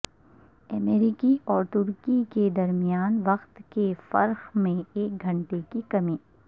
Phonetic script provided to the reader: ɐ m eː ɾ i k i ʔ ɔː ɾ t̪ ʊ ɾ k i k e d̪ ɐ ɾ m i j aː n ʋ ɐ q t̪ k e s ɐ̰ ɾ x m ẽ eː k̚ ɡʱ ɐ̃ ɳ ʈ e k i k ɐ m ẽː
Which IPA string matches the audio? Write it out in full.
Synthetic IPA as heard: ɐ m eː ɾ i k i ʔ ɔː ɾ t̪ ʊ ɾ k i k e d̪ ɐ ɾ m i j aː n ʋ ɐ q t̪ k e f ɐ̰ ɾ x m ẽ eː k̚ ɡʱ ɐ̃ ɳ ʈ e k i k ɐ m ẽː

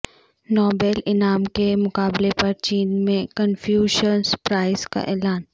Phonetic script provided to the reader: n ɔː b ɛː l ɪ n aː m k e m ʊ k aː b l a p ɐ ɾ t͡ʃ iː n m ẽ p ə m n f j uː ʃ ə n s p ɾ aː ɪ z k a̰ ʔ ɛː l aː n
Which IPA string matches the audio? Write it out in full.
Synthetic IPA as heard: n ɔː b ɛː l ɪ n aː m k e m ʊ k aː b l e p ɐ ɾ t͡ʃ iː n m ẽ k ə n f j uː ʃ ə n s p ɾ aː ɪ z k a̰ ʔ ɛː l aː n

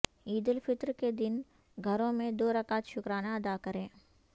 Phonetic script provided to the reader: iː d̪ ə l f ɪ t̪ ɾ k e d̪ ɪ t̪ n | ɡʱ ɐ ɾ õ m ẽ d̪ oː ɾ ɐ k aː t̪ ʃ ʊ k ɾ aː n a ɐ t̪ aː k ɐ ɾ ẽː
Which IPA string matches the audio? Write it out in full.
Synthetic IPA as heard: iː d̪ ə l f ɪ t̪ ɾ k e d̪ ɪ n | ɡʱ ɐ ɾ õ m ẽ d̪ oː ɾ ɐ k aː t̪ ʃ ʊ k ɾ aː n a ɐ d̪ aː k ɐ ɾ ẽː

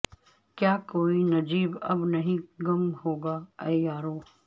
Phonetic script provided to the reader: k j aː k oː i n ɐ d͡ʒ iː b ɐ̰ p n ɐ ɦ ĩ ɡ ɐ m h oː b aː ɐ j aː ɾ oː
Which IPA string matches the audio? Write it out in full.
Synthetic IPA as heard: k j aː k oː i n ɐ d͡ʒ iː b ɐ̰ b n ɐ ɦ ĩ ɡ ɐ m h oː ɡ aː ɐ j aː ɾ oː

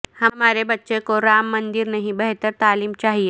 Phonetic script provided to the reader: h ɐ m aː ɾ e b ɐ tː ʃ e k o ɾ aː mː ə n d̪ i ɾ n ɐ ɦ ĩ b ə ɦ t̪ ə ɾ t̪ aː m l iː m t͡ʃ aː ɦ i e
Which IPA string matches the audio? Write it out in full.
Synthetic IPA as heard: h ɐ m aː ɾ e b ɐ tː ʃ e k o ɾ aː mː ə n d̪ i ɾ n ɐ ɦ ĩ b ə ɦ t̪ ə ɾ t̪ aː l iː m t͡ʃ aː ɦ i e

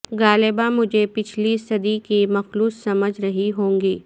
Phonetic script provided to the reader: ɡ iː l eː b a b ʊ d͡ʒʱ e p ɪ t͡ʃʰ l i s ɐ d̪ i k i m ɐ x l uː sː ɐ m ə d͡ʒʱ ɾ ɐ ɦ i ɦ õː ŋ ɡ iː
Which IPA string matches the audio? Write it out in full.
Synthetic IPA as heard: ɡ aː l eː b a m ʊ d͡ʒʱ e p ɪ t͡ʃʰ l i s ɐ d̪ i k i m ɐ x l uː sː ɐ m ə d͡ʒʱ ɾ ɐ ɦ i ɦ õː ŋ ɡ iː

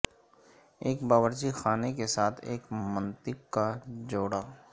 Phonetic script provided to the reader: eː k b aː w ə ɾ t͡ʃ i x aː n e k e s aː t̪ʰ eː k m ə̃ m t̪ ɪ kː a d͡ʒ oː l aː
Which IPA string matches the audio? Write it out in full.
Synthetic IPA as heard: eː k b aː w ə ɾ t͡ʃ i x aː n e k e s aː t̪ʰ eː k m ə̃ n t̪ ɪ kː a d͡ʒ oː ɽ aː

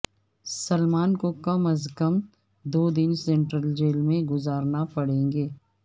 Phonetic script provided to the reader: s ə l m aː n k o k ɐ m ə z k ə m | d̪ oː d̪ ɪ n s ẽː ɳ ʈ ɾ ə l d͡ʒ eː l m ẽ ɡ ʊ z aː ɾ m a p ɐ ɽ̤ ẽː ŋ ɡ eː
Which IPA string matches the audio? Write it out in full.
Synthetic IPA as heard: s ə l m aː n k o k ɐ m ə z k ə m | d̪ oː d̪ ɪ n s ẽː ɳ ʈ ɾ ə l d͡ʒ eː l m ẽ ɡ ʊ z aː ɾ n a p ɐ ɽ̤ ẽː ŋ ɡ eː

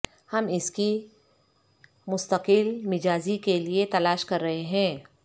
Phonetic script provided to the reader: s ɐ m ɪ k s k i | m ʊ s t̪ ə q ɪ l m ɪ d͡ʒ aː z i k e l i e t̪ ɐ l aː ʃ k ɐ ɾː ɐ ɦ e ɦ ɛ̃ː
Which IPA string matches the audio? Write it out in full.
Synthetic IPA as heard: h ɐ m ɪ s k i | m ʊ s t̪ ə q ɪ l m ɪ d͡ʒ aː z i k e l i e t̪ ɐ l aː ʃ k ɐ ɾː ɐ ɦ e ɦ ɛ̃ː

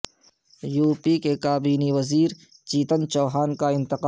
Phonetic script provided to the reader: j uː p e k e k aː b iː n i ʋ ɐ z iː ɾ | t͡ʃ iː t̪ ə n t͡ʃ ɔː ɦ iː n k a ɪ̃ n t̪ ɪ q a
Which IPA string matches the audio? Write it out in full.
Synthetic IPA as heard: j uː p i k e k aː b iː n i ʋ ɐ z iː ɾ | t͡ʃ iː t̪ ə n t͡ʃ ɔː ɦ aː n k a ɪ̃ n t̪ ɪ q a

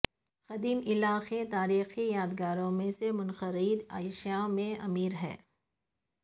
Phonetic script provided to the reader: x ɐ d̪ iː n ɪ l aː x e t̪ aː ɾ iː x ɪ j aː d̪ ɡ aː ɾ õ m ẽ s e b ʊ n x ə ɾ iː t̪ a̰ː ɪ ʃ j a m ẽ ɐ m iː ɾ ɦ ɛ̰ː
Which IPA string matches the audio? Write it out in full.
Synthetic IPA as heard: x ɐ d̪ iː m ɪ l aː x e t̪ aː ɾ iː x i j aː d̪ ɡ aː ɾ õ m ẽ s e m ʊ n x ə ɾ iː d̪ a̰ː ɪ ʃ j a m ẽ ɐ m iː ɾ ɦ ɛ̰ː

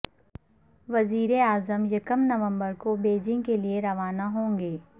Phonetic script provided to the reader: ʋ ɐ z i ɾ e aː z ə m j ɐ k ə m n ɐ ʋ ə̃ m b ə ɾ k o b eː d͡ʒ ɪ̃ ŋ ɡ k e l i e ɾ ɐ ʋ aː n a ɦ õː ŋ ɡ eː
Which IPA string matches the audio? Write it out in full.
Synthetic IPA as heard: ʋ ɐ z iː ɾ e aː z ə m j ɐ k ə m n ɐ ʋ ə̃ m b ə ɾ k o b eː d͡ʒ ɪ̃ ŋ ɡ k e l i e ɾ ɐ ʋ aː n a ɦ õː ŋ ɡ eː

